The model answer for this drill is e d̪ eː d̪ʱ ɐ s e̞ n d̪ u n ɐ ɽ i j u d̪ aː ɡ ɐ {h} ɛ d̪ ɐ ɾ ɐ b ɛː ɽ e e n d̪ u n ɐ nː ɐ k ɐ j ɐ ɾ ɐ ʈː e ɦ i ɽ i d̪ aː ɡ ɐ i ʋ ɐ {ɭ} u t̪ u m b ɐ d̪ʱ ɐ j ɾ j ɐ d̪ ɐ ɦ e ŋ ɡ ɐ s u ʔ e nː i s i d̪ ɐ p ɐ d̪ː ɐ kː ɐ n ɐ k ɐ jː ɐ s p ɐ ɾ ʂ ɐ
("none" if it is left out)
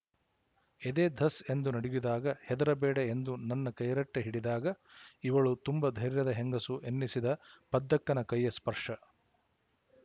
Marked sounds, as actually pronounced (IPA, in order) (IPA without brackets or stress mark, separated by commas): h, ɭ